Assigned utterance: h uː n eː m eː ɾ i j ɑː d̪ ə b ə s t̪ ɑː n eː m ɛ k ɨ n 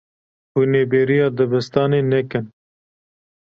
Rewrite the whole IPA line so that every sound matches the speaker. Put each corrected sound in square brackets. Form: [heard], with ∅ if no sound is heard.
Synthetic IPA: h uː n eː [b] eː ɾ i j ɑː d̪ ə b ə s t̪ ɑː n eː [n] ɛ k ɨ n

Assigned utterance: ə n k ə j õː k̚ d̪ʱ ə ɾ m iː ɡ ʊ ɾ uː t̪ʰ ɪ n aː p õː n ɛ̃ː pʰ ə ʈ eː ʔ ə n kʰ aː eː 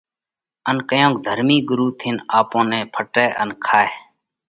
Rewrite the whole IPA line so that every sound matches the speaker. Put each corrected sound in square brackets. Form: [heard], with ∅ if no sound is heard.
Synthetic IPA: ə n k ə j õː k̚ d̪ʱ ə ɾ m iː ɡ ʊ ɾ uː t̪ʰ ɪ n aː p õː n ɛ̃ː pʰ ə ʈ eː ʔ ə n kʰ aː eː

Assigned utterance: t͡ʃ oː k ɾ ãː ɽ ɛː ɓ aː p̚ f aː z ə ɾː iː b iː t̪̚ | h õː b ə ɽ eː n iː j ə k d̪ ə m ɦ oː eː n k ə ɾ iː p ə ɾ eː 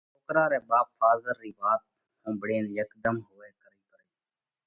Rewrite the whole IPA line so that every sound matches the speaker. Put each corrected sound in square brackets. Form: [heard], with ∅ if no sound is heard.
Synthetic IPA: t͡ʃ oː k ɾ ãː [ɾ] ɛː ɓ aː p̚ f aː z ə ɾː iː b [aː] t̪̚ | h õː b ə ɽ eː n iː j ə k d̪ ə m ɦ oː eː [∅] k ə ɾ iː p ə ɾ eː

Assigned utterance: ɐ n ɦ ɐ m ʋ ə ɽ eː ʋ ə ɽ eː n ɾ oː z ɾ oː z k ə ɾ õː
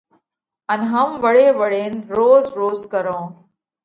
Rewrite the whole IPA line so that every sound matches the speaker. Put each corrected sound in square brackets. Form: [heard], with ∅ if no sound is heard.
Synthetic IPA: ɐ n ɦ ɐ m ʋ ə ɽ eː ʋ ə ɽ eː n ɾ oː z ɾ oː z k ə ɾ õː

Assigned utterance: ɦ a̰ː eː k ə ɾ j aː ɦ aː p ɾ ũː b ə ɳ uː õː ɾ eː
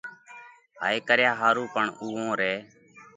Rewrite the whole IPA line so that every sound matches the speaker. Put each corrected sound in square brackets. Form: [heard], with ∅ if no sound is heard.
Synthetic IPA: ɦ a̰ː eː k ə ɾ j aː ɦ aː [∅] ɾ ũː [p] ə ɳ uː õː ɾ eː

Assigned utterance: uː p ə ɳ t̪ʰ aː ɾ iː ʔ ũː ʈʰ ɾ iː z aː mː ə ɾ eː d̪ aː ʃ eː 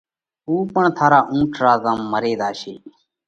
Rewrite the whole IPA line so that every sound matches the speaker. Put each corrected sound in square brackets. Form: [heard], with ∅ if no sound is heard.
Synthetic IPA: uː p ə ɳ t̪ʰ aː ɾ [aː] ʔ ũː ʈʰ ɾ [aː] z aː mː ə ɾ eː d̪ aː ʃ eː

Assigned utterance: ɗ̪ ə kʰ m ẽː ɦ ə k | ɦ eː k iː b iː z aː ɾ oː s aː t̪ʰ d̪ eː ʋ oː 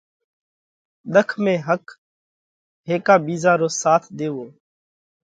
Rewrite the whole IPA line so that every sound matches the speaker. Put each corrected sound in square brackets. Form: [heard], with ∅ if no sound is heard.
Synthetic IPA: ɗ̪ ə kʰ m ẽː ɦ ə k | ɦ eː k [aː] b iː z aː ɾ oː s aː t̪ʰ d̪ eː ʋ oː

